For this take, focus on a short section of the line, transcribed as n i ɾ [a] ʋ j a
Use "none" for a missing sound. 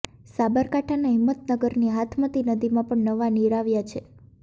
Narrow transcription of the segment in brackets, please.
a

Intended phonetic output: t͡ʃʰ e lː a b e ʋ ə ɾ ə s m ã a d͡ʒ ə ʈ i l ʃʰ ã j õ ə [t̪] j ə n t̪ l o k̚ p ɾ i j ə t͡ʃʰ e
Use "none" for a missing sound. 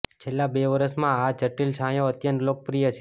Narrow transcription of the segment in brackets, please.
t̪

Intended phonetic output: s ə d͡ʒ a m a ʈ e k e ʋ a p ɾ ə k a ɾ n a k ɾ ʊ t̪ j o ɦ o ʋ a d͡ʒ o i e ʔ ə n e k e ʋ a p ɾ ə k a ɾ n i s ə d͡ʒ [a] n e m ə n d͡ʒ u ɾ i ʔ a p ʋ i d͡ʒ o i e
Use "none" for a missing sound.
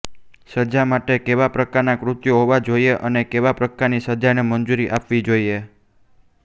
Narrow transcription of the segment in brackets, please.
a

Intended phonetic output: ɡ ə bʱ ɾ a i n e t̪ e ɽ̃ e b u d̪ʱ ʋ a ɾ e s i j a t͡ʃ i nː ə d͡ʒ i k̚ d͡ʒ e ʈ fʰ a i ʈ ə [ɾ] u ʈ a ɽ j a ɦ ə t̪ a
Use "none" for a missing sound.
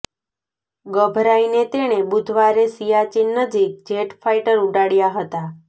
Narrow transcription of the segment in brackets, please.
ɾ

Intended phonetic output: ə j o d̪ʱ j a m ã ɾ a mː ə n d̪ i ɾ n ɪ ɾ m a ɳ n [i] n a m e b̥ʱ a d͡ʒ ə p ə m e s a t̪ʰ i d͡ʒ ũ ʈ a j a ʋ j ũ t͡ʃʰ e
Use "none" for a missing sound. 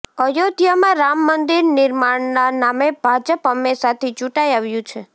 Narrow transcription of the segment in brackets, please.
a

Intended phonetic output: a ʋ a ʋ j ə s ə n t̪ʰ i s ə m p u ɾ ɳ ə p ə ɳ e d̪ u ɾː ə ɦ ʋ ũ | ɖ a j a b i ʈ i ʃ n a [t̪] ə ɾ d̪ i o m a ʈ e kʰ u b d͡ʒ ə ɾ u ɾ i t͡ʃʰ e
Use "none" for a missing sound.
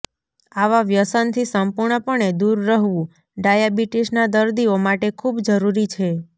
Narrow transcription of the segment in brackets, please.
d̪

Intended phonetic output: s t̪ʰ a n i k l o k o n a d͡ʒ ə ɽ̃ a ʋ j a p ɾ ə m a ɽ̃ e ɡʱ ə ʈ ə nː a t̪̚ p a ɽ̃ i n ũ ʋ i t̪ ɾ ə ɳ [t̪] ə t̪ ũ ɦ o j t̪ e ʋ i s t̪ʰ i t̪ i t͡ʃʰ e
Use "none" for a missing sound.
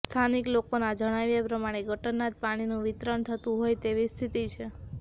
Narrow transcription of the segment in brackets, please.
t̪ʰ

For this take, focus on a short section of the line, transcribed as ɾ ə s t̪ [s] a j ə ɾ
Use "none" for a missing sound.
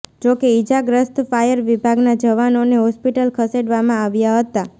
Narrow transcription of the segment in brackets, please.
f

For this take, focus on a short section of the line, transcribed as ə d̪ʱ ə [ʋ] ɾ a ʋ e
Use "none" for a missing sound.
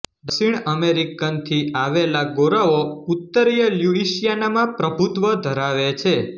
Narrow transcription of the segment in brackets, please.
none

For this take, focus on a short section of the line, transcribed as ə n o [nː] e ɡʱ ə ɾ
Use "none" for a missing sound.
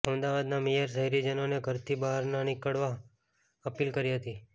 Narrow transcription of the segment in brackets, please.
n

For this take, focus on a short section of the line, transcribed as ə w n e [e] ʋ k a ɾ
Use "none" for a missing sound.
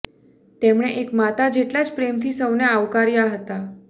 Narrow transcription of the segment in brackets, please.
a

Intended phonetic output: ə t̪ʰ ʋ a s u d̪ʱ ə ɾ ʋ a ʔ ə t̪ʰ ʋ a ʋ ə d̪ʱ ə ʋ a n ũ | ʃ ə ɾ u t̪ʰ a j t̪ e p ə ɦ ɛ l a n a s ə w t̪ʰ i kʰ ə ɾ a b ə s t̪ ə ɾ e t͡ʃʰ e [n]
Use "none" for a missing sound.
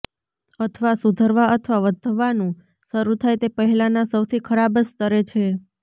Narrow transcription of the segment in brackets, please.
none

